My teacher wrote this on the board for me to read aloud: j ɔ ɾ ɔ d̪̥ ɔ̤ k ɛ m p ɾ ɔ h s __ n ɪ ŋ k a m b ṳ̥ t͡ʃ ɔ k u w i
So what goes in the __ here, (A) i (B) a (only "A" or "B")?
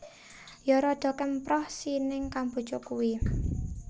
A